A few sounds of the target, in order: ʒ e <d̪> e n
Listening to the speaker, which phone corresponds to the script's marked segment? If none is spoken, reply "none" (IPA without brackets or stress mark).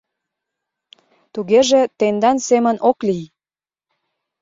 t̪